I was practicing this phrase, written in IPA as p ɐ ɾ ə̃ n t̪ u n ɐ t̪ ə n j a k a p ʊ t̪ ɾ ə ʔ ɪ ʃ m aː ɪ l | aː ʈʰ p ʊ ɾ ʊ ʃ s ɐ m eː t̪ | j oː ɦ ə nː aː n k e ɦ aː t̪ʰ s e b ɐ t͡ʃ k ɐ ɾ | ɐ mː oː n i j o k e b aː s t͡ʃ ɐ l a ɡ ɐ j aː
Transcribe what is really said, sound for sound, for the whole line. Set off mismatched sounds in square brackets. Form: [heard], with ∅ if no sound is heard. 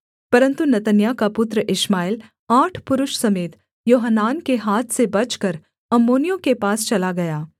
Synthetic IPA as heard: p ɐ ɾ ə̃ n t̪ u n ɐ t̪ ə n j a k a p ʊ t̪ ɾ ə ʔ ɪ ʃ m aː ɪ l | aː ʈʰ p ʊ ɾ ʊ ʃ s ɐ m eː t̪ | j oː ɦ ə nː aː n k e ɦ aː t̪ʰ s e b ɐ t͡ʃ k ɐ ɾ | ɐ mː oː n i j [õ] k e [p] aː s t͡ʃ ɐ l a ɡ ɐ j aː